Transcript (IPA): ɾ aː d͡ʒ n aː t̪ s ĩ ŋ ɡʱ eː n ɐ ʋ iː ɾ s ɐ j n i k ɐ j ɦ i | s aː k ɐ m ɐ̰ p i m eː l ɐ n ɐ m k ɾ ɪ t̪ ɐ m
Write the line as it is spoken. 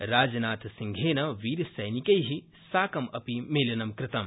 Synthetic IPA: ɾ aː d͡ʒ n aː t̪ s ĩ ŋ ɡʱ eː n ɐ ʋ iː ɾ s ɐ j n i k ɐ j ɦ i | s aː k ɐ m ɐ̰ p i m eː l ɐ n ɐ m k ɾ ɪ t̪ ɐ m